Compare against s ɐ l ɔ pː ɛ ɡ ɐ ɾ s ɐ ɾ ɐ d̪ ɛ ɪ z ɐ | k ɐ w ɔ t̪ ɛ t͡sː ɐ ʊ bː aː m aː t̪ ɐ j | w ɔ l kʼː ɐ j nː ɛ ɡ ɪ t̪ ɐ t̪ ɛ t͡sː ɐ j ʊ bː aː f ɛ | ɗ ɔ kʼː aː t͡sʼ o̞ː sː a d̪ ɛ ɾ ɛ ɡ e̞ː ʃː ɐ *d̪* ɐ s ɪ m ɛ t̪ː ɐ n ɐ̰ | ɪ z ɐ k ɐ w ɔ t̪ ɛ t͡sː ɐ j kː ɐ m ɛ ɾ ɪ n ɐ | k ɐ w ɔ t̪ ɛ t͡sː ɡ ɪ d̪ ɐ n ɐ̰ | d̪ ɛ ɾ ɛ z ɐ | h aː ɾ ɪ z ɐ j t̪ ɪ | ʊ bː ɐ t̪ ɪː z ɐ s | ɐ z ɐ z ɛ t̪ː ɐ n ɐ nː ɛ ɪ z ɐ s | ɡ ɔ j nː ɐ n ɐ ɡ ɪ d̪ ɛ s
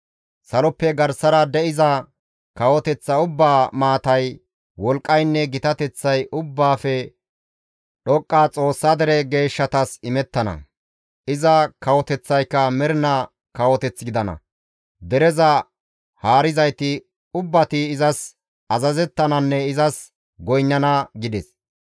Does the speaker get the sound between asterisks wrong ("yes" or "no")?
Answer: yes